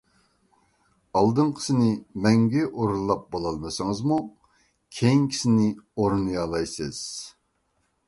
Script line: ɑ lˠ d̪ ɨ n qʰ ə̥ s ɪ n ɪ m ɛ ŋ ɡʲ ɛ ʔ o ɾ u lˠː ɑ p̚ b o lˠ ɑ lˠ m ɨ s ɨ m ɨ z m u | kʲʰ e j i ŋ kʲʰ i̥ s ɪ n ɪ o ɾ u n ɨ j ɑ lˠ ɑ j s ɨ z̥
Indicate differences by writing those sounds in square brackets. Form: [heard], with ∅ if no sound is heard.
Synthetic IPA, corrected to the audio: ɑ lˠ d̪ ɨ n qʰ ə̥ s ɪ n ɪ m ɛ ŋ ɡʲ ɛ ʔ o ɾ u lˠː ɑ p̚ b o lˠ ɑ lˠ m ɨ s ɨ [ŋ] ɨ z m u | kʲʰ e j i ŋ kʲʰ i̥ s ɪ n ɪ o ɾ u n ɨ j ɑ lˠ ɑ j s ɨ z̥

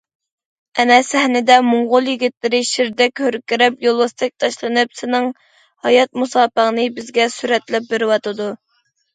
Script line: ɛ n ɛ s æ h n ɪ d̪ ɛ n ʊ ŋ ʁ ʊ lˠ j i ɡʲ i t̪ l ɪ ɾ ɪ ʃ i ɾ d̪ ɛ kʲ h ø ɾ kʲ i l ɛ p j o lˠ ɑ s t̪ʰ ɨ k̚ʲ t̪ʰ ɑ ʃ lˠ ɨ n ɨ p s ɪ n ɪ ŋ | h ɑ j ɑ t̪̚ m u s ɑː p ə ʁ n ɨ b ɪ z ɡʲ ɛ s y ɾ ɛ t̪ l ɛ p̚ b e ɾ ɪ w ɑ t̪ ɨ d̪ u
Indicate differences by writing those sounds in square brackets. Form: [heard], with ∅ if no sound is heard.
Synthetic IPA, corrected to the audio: ɛ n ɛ s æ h n ɪ d̪ ɛ [m] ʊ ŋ ʁ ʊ lˠ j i ɡʲ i t̪ l ɪ ɾ ɪ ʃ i ɾ d̪ ɛ kʲ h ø ɾ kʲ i [ɾ] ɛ p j o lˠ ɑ s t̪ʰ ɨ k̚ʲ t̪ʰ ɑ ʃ lˠ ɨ n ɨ p s ɪ n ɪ ŋ | h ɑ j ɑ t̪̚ m u s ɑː p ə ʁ n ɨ b ɪ z ɡʲ ɛ s y ɾ ɛ t̪ l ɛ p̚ b e ɾ ɪ w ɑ t̪ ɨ d̪ u

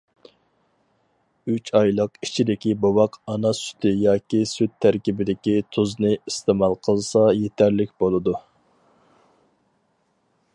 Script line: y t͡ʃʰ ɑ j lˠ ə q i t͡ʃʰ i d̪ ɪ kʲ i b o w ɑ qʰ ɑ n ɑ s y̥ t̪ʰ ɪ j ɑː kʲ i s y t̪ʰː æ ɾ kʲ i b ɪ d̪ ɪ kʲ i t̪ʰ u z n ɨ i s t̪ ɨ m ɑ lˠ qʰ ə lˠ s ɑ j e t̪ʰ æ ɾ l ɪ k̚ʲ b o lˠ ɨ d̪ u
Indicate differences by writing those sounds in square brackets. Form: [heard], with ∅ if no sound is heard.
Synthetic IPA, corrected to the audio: y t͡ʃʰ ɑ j lˠ ə q i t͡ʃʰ i d̪ ɪ kʲ i b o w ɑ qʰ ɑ n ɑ s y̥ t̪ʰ ɪ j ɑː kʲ i s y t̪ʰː æ ɾ kʲ i b ɪ d̪ ɪ kʲ i t̪ʰ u z n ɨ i s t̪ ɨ m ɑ lˠ qʰ ə lˠ s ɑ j e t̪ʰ æ ɾ l ɪ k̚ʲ b o lˠ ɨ d̪ u

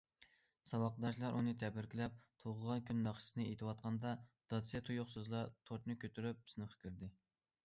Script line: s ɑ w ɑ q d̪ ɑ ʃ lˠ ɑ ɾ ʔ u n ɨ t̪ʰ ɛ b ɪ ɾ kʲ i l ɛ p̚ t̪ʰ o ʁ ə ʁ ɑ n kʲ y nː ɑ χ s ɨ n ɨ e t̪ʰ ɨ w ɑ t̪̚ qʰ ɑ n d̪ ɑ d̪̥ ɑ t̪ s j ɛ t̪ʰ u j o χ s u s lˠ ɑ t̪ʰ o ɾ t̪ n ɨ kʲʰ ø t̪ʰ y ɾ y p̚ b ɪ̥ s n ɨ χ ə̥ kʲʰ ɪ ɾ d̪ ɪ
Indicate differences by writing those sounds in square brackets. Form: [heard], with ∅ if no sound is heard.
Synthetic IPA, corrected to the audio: s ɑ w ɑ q d̪ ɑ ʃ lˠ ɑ ɾ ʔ u n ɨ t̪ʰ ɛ b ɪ ɾ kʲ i l ɛ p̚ t̪ʰ o ʁ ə ʁ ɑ n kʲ y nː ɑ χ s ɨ n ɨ e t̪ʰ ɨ w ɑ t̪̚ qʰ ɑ n d̪ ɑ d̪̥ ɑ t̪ s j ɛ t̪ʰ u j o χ s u [z] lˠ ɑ t̪ʰ o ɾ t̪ n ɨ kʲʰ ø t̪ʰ y ɾ y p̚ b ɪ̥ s n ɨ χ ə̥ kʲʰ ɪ ɾ d̪ ɪ

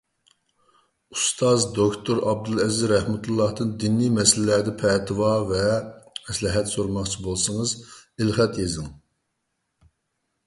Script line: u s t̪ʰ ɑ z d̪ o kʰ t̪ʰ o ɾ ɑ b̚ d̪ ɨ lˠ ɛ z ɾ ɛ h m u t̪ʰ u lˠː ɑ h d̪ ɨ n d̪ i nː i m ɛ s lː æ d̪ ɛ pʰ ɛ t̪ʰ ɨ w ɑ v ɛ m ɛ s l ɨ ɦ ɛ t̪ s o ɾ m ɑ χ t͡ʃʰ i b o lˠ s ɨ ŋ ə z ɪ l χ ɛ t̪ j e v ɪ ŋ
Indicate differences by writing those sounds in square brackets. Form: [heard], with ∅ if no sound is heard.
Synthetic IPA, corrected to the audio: u s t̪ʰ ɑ z d̪ o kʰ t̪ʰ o ɾ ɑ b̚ d̪ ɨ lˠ ɛ z ɾ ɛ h m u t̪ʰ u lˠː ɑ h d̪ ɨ n d̪ i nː i m ɛ s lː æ d̪ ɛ pʰ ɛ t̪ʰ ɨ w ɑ v ɛ m ɛ s l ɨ ɦ ɛ t̪ s o ɾ m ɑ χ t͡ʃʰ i b o lˠ s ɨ ŋ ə z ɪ l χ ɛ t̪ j e [z] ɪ ŋ

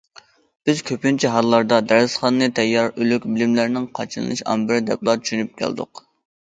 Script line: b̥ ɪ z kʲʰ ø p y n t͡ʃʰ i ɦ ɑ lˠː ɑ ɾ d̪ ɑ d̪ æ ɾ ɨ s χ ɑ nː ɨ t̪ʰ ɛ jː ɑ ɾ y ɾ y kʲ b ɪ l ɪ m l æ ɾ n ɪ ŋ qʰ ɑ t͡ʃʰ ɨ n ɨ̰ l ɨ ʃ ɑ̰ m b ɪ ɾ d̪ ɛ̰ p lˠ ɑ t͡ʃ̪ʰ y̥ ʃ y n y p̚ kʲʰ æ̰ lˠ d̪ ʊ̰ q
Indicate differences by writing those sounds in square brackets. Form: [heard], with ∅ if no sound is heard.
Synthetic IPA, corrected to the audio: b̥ ɪ z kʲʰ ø p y n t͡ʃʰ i ɦ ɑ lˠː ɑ ɾ d̪ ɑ d̪ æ ɾ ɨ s χ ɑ nː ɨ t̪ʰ ɛ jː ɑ ɾ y [l] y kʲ b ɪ l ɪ m l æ ɾ n ɪ ŋ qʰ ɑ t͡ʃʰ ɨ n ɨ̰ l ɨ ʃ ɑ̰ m b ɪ ɾ d̪ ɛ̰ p lˠ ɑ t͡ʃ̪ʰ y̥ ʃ y n y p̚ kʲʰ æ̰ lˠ d̪ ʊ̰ q

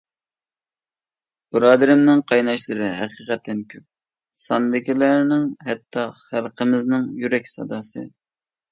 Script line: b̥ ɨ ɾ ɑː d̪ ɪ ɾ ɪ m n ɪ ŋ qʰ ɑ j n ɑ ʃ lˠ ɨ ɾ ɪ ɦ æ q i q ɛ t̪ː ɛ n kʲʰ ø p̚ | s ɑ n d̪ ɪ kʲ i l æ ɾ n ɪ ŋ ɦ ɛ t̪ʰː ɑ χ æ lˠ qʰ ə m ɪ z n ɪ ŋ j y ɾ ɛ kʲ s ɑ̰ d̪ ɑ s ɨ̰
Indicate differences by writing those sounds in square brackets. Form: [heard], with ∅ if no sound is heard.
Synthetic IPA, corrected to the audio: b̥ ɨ ɾ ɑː d̪ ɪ ɾ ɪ m n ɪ ŋ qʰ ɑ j n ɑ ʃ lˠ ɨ ɾ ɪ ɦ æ q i q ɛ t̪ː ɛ n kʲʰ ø p̚ | s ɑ n d̪ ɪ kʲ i l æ ɾ n ɪ ŋ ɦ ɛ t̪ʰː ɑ χ æ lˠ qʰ ə m ɪ z n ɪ ŋ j y ɾ ɛ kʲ s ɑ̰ d̪ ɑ s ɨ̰

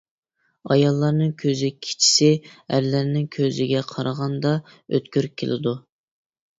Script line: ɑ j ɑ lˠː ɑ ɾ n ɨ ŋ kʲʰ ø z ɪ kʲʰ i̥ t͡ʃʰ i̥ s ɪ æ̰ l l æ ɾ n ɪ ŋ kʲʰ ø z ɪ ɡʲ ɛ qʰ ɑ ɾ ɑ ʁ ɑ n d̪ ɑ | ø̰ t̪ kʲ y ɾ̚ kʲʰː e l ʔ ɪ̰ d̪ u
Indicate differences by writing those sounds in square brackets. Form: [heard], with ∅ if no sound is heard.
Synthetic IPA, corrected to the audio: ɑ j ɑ lˠː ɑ ɾ n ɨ ŋ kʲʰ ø z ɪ kʲʰ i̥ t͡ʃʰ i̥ s ɪ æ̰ [ɾ] l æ ɾ n ɪ ŋ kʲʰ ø z ɪ ɡʲ ɛ qʰ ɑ ɾ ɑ ʁ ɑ n d̪ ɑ | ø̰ t̪ kʲ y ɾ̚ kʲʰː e l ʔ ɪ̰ d̪ u

